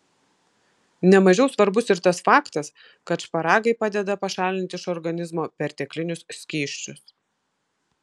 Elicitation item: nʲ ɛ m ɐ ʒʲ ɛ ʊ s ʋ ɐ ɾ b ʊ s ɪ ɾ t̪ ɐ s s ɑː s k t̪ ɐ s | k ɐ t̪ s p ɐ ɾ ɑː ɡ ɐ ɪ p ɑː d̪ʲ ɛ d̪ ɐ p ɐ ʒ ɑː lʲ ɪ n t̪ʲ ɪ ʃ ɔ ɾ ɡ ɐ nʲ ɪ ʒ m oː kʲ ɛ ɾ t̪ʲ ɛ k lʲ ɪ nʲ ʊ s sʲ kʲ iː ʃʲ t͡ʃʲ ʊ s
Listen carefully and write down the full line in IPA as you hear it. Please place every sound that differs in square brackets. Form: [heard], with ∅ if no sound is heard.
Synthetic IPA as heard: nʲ ɛ m ɐ ʒʲ ɛ ʊ s ʋ ɐ ɾ b ʊ s ɪ ɾ t̪ ɐ s [f] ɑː [∅] k t̪ ɐ s | k ɐ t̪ [ʃ] p ɐ ɾ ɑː ɡ ɐ ɪ p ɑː d̪ʲ ɛ d̪ ɐ p ɐ [ʃ] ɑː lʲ ɪ n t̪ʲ ɪ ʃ ɔ ɾ ɡ ɐ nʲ ɪ [z] m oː [pʲ] ɛ ɾ t̪ʲ ɛ k lʲ ɪ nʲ ʊ s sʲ kʲ iː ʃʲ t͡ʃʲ ʊ s